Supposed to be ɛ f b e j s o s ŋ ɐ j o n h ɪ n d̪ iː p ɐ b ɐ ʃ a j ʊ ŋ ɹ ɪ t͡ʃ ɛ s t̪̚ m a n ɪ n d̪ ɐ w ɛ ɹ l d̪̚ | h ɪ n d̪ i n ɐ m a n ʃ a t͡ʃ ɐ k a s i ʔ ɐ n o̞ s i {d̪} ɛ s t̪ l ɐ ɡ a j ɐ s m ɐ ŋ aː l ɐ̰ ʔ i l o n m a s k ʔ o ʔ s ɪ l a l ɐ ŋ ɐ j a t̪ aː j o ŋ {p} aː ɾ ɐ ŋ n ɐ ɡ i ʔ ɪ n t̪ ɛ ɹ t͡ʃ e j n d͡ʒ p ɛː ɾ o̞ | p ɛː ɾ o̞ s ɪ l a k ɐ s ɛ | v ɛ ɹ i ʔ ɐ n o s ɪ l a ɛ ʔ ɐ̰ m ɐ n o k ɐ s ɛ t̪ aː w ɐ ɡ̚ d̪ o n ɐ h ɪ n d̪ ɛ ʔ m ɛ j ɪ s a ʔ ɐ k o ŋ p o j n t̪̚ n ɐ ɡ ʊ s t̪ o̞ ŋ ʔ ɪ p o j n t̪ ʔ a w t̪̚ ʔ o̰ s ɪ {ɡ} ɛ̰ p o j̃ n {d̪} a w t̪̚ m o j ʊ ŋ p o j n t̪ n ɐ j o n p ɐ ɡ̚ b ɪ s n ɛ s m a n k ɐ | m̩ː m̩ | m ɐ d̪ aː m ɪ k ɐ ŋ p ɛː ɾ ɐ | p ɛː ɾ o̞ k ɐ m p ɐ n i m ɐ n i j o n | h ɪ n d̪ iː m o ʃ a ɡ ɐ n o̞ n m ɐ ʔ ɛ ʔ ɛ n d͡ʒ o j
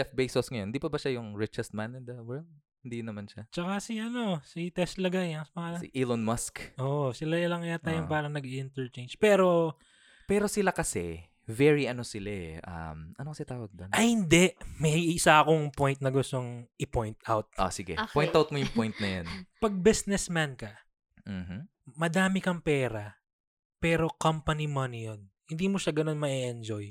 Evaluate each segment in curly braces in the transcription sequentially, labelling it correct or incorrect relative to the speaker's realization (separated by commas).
incorrect, correct, correct, incorrect